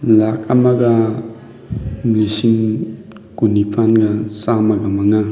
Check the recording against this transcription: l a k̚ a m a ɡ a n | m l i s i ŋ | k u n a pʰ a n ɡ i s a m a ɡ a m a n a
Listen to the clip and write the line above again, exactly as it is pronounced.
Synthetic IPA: l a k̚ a m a ɡ a | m l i s i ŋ | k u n i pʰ a n ɡ a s a m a ɡ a m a ŋ a